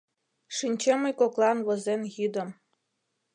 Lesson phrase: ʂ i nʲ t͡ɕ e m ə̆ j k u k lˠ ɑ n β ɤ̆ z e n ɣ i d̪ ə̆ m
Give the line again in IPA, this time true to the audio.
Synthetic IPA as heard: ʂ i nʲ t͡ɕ e m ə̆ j k o k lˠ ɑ n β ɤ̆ z e n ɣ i d̪ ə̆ m